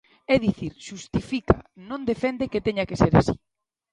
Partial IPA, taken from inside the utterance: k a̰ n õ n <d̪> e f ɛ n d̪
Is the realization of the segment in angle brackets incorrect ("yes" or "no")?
no